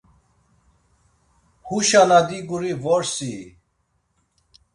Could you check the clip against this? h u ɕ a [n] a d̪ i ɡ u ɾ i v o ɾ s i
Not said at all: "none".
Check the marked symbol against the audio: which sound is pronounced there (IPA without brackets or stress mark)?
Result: n